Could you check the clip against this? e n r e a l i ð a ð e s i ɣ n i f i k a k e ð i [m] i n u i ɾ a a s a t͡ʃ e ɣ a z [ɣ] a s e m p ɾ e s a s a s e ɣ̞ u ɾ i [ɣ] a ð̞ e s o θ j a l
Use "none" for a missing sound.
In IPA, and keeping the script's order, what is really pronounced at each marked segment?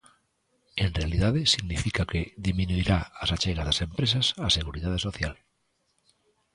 m, ð, ð

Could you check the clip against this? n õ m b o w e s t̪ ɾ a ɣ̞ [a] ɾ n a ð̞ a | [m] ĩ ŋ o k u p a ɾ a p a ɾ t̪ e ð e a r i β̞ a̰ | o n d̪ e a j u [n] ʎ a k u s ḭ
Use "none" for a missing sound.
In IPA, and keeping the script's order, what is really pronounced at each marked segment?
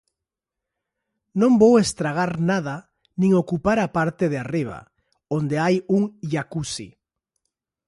a, n, ŋ

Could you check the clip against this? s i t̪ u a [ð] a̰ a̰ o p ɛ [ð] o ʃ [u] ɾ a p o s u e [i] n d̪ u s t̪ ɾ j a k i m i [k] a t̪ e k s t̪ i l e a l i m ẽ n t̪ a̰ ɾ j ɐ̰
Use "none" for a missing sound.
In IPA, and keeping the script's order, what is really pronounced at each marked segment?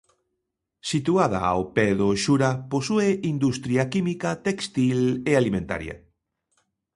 ð, ð, u, i, k

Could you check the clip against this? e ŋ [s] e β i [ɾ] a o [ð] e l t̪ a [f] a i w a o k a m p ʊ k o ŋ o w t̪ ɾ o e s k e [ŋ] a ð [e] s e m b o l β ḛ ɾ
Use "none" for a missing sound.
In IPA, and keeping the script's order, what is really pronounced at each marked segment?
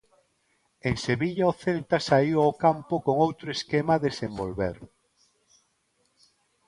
s, ʎ, θ, s, m, e

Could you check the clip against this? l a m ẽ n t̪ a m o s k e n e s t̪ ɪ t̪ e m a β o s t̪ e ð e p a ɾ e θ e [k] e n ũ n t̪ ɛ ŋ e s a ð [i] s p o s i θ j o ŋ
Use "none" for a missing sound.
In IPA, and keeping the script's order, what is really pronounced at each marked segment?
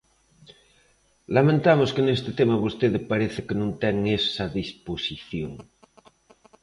k, i

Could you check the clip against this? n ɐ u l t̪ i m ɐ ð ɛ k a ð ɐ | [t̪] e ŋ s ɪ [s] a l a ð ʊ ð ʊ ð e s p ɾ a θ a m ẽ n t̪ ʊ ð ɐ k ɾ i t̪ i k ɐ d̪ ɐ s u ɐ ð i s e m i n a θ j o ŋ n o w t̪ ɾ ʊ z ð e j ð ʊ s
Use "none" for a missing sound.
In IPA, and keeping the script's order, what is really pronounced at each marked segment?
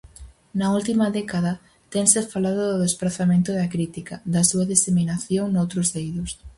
t̪, f

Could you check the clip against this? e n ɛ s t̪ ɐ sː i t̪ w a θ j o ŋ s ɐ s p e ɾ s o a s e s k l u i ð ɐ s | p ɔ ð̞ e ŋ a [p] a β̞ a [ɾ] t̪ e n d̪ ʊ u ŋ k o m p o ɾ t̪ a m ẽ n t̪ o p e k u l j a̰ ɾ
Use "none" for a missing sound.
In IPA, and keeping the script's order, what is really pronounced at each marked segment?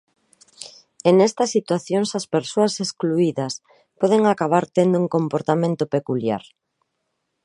k, ɾ

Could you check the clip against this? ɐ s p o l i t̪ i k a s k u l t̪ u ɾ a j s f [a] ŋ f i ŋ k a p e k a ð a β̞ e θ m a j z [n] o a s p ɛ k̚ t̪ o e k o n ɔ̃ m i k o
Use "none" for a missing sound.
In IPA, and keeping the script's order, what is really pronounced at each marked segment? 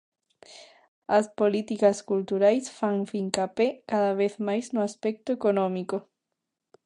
a, n

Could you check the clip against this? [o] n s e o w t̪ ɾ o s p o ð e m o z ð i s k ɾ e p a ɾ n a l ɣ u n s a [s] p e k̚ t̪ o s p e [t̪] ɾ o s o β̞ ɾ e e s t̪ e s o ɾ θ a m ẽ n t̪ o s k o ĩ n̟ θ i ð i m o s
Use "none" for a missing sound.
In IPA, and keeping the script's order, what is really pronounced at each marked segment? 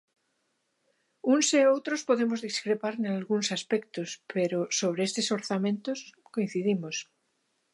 u, s, none

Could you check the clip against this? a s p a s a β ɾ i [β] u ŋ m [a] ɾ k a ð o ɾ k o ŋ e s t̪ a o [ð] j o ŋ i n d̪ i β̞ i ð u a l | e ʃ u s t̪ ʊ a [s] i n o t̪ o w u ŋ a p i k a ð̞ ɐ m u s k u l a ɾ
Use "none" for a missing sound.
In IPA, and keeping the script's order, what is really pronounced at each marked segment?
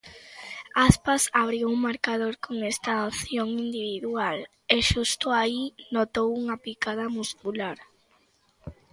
w, a, θ, none

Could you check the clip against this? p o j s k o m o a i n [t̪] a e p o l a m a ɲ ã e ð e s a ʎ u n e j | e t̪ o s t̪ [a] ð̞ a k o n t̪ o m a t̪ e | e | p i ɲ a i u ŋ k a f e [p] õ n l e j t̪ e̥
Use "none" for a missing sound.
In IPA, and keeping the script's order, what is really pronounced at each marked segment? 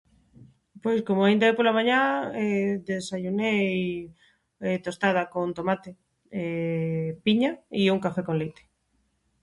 d̪, a, k

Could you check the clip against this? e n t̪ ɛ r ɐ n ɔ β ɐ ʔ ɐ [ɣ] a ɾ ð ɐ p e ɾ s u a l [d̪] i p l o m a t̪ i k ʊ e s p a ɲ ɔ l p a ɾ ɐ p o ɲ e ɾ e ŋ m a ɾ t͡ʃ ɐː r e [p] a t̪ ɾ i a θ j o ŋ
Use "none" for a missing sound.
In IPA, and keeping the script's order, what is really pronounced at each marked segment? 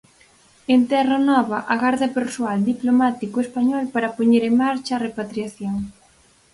ɣ, d̪, p

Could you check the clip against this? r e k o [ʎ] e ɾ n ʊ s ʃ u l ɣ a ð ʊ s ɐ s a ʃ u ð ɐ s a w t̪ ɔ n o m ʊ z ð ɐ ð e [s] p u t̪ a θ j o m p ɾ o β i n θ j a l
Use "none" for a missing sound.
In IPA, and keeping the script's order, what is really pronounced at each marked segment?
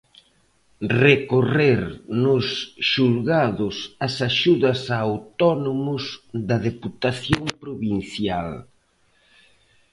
r, none

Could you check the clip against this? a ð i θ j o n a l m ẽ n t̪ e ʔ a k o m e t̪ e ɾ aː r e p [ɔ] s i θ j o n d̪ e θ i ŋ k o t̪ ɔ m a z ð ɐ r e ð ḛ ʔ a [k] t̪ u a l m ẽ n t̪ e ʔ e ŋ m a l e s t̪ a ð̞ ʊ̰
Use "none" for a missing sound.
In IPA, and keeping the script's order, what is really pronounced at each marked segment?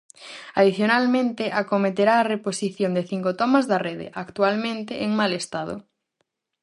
o, k

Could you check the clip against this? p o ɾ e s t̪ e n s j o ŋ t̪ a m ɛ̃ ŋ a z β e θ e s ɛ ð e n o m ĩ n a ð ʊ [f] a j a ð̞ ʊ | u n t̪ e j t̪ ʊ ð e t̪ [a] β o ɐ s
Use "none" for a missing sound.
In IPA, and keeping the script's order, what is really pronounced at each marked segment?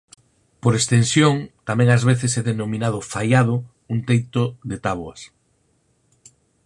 f, a

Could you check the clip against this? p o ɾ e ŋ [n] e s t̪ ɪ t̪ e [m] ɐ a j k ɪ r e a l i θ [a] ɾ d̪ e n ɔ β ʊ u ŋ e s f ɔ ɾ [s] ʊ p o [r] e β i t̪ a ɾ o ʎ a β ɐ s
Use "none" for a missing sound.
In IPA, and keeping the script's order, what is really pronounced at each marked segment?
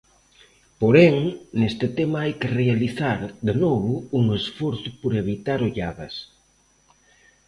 n, m, a, θ, ɾ

